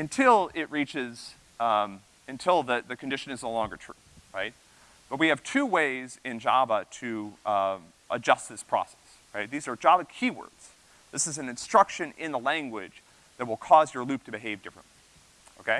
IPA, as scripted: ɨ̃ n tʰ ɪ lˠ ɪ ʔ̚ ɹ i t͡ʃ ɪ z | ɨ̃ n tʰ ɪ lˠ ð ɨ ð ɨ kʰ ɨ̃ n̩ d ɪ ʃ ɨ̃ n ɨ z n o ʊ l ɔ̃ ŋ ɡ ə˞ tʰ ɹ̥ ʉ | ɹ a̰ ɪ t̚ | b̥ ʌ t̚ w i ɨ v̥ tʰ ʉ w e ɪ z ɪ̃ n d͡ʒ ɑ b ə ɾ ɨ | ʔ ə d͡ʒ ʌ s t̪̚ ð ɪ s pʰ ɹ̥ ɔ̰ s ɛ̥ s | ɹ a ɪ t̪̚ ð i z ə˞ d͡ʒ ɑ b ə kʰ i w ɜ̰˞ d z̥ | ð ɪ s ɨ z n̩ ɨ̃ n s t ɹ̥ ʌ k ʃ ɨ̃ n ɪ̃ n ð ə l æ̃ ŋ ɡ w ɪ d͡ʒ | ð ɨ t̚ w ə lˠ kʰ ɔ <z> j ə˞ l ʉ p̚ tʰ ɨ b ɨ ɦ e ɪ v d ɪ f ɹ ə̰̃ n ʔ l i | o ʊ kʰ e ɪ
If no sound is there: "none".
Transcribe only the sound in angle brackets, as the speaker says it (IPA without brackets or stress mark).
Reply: z